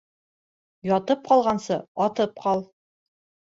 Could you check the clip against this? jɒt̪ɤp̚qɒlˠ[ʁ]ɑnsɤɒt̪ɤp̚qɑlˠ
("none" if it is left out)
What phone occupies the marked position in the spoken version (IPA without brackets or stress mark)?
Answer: ʁ